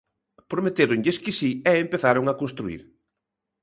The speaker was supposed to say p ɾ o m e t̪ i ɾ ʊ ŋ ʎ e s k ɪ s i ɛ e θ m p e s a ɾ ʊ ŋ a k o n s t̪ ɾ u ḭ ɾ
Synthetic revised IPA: p ɾ o m e t̪ e ɾ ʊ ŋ ʎ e s k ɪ s i ɛ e m p e θ a ɾ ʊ ŋ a k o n s t̪ ɾ u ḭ ɾ